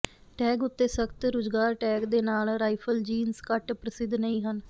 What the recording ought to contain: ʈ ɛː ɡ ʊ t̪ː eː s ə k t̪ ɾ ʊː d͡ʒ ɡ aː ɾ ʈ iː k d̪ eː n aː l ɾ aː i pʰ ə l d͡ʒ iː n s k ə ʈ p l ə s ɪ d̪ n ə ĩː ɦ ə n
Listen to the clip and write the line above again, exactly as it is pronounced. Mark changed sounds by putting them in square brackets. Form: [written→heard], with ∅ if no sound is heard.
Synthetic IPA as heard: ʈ ɛː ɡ ʊ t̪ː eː s ə k t̪ ɾ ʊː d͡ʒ ɡ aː ɾ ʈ [iː→ɛː] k d̪ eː n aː l ɾ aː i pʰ ə l d͡ʒ iː n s k ə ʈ p [l→ɾ] ə s ɪ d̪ n ə ĩː ɦ ə n